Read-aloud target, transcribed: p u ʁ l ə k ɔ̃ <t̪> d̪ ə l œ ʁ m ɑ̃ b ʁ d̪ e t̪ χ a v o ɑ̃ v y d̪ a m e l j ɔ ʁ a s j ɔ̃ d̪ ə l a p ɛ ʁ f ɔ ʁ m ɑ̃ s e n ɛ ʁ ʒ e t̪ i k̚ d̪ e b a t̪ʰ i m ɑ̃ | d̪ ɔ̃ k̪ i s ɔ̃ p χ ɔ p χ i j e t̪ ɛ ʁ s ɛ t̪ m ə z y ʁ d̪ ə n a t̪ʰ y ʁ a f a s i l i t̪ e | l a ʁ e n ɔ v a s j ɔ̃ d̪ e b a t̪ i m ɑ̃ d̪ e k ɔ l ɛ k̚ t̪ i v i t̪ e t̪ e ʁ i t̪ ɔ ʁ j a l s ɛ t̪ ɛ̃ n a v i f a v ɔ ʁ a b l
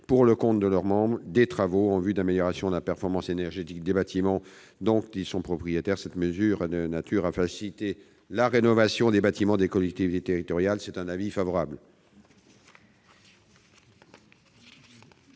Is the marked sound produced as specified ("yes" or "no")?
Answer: yes